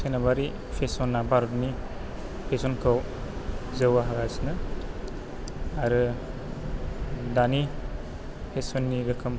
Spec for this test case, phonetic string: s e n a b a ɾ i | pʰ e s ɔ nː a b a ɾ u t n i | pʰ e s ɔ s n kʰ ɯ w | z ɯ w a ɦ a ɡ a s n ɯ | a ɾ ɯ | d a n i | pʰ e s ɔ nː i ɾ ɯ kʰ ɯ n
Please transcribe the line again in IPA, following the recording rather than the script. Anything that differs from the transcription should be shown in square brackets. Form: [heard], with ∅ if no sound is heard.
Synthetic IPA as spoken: s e n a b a ɾ i | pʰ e s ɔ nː a b a ɾ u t n i | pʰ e s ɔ [∅] n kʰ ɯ w | z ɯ w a ɦ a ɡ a s n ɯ | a ɾ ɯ | d a n i | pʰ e s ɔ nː i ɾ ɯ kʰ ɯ [m]